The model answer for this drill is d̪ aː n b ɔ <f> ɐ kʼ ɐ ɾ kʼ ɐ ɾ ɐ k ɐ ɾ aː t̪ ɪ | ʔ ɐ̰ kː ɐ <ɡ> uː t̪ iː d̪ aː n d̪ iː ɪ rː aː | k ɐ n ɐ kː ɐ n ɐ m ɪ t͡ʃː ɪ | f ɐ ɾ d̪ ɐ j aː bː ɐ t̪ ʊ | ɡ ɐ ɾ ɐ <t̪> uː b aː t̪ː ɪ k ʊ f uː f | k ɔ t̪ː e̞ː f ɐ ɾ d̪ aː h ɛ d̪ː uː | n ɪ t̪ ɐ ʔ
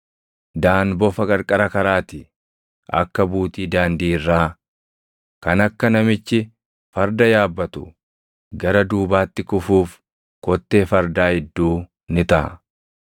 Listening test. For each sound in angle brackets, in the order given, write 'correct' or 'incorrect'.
correct, incorrect: b, incorrect: d̪

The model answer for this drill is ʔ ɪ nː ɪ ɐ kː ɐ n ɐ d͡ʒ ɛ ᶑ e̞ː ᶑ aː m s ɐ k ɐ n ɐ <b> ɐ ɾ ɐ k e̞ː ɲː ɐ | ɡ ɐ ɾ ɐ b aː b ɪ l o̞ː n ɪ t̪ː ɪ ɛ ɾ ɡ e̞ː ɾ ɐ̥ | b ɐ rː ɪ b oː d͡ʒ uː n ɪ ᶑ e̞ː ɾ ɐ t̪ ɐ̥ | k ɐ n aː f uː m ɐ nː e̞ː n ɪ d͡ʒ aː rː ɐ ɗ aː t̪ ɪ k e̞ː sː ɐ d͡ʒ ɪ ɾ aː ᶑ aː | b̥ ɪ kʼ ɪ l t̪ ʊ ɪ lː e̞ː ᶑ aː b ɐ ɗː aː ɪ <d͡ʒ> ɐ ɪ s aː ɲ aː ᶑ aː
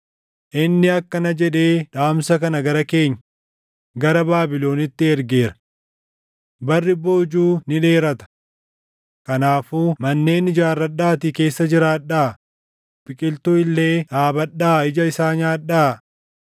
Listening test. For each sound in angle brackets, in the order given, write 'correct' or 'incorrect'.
incorrect: ɡ, correct

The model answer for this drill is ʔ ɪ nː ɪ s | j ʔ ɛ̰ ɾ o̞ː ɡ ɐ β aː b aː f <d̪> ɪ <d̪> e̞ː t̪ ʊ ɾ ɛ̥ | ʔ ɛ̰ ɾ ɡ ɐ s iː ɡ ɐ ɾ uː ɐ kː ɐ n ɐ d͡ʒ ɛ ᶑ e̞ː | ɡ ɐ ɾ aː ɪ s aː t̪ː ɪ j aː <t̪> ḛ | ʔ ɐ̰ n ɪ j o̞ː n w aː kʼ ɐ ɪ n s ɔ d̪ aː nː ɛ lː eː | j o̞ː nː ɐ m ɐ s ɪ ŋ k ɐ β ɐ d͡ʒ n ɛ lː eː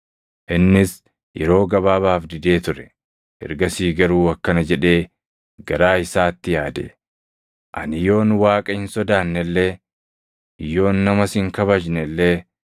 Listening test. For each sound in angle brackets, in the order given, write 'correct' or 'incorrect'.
correct, correct, incorrect: d̪

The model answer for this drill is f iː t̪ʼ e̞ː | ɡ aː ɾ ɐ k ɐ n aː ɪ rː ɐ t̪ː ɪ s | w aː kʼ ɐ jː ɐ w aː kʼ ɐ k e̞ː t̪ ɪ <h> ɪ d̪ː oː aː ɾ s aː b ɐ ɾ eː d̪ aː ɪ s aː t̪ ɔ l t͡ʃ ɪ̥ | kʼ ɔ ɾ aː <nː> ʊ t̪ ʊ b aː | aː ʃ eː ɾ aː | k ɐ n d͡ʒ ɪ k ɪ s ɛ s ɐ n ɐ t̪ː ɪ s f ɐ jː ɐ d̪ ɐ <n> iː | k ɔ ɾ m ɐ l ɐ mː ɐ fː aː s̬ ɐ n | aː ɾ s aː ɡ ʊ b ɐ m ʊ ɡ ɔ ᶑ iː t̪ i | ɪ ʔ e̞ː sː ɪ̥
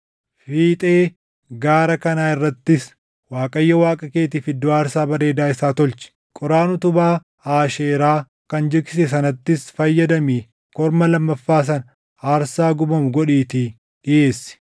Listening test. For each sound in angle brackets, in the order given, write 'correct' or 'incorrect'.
incorrect: f, incorrect: n, incorrect: m

